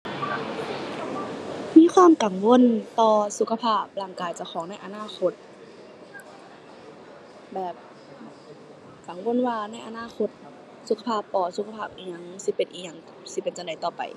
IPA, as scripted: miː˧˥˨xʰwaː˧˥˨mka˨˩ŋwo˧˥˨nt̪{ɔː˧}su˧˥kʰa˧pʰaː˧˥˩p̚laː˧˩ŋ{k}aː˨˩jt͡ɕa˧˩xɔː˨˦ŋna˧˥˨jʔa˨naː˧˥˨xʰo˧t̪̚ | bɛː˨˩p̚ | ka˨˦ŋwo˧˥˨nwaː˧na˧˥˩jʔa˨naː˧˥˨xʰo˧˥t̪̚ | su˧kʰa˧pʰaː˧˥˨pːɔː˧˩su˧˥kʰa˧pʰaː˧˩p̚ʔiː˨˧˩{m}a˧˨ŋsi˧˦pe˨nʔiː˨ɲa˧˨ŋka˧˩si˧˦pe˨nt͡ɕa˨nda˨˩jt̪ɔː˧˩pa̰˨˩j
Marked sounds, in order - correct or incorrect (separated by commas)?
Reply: correct, correct, incorrect